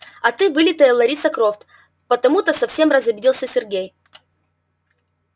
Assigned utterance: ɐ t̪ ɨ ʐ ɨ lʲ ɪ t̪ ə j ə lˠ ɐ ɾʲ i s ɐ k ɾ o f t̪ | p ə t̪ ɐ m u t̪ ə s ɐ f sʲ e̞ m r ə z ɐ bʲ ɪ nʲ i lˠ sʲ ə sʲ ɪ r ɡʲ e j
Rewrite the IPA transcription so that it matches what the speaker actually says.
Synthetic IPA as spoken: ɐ t̪ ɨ v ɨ lʲ ɪ t̪ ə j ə lˠ ɐ ɾʲ i s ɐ k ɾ o f t̪ | p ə t̪ ɐ m u t̪ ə s ɐ f sʲ e̞ m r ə z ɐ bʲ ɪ dʲ i lˠ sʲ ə sʲ ɪ r ɡʲ e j

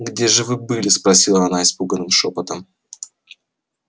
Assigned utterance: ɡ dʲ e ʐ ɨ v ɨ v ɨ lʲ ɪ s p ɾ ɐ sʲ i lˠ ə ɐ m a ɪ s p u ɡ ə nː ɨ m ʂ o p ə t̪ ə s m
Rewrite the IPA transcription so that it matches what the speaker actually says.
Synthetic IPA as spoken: ɡ dʲ e ʐ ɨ v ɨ b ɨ lʲ ɪ s p ɾ ɐ sʲ i lˠ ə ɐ n a ɪ s p u ɡ ə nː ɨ m ʂ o p ə t̪ ə m

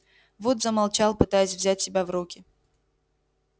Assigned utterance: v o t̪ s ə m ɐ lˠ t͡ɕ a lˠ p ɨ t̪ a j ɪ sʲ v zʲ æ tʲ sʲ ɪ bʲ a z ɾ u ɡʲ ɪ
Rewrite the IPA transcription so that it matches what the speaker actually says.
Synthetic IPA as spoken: v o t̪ z ə m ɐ lˠ t͡ɕ a lˠ p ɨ t̪ a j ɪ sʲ v zʲ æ tʲ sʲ ɪ bʲ a v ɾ u kʲ ɪ

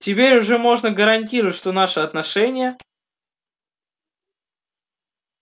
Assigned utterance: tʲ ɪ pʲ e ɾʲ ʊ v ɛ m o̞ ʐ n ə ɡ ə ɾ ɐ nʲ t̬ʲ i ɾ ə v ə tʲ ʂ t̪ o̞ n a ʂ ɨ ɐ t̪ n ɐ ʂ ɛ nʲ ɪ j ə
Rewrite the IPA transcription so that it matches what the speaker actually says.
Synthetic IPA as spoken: tʲ ɪ pʲ e ɾʲ ʊ ʐ ɛ m o̞ ʐ n ə ɡ ə ɾ ɐ nʲ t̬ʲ i ɾ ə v ə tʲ ʂ t̪ o̞ n a ʂ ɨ ɐ t̪ n ɐ ʂ ɛ nʲ ɪ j ə

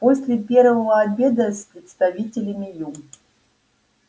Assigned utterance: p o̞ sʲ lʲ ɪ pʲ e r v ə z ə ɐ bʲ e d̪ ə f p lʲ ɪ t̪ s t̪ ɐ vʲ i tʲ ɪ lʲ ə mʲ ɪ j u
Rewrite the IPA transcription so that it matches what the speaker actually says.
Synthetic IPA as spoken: p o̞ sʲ lʲ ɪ pʲ e r v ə v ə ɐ bʲ e d̪ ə s p ɾʲ ɪ t̪ s t̪ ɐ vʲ i tʲ ɪ lʲ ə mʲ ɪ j u

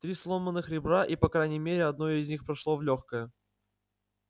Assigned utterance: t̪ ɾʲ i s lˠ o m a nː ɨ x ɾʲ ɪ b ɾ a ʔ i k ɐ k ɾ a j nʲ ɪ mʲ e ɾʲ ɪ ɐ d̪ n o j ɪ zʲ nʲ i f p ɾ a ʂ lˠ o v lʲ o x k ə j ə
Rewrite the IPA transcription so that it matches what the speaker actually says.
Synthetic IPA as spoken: t̪ ɾʲ i s lˠ o m ə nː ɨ x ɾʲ ɪ b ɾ a ʔ i p ɐ k ɾ a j nʲ ɪ mʲ e ɾʲ ɪ ɐ d̪ n o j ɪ zʲ nʲ i x p ɾ ɐ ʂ lˠ o v lʲ o x k ə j ə

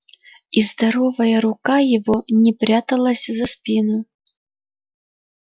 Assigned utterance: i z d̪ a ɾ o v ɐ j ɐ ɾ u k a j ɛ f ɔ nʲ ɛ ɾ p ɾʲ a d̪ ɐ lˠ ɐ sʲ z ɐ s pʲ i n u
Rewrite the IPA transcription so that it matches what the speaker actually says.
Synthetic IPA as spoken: i z d̪ a ɾ ɔ v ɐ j ɐ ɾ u k a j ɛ v ɔ nʲ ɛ p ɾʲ a t̪ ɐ lˠ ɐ sʲ z ɐ s pʲ i n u

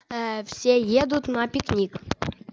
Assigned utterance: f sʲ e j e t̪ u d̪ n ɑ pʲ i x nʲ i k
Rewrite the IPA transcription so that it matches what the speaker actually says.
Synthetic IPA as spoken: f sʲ e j e d̪ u t̪ n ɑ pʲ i k nʲ i k

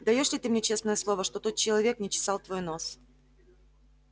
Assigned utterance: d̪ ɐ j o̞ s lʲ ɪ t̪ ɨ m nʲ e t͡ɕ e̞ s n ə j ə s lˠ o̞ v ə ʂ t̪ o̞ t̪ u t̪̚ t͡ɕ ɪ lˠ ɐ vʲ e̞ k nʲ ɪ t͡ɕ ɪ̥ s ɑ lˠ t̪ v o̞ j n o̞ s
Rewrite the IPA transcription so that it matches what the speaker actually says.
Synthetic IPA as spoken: d̪ ɐ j o̞ ʂ lʲ ɪ t̪ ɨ m nʲ e t͡ɕ e̞ s n ə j ə s lˠ o̞ v ə ʂ t̪ o̞ t̪ o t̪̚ t͡ɕ ɪ lˠ ɐ vʲ e̞ k nʲ ɪ t͡ɕ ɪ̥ s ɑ lˠ t̪ v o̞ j n o̞ s

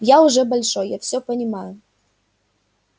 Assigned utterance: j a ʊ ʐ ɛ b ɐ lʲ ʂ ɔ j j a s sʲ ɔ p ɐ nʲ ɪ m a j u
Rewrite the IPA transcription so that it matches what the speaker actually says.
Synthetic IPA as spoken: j a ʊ ʐ ɛ b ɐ lʲ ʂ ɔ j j a f sʲ ɔ p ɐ nʲ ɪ m a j ʊ

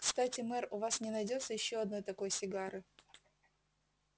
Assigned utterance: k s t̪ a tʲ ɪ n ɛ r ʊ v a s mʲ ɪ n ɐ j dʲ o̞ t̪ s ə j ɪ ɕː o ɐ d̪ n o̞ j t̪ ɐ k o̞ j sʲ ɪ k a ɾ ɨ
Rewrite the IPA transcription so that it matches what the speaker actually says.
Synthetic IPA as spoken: k s t̪ a tʲ ɪ m ɛ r ʊ v a s nʲ ɪ n ɐ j dʲ o̞ t̪ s ə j ɪ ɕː o ɐ d̪ n o̞ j t̪ ɐ k o̞ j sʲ ɪ ɡ a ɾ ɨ

